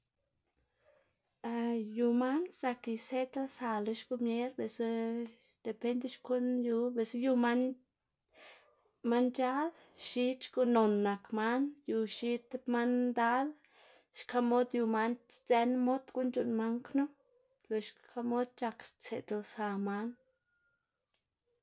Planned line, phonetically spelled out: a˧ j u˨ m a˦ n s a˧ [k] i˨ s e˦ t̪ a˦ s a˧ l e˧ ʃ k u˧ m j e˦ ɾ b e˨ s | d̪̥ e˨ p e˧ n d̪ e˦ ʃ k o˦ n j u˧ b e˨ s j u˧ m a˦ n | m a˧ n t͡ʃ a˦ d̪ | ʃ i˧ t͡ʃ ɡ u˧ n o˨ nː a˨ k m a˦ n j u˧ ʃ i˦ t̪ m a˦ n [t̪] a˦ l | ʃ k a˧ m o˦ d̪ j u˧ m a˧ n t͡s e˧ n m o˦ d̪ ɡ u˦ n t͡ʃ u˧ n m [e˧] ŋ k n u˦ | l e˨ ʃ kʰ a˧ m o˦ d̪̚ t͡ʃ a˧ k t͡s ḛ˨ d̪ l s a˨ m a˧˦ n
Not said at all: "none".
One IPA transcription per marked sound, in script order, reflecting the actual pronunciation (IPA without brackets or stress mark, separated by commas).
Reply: k, d̪, a˧